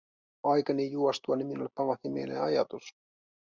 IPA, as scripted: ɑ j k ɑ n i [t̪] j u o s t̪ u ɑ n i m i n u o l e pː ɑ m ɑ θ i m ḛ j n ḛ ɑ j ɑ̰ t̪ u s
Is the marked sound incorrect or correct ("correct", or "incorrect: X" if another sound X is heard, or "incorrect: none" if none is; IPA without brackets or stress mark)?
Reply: incorrect: none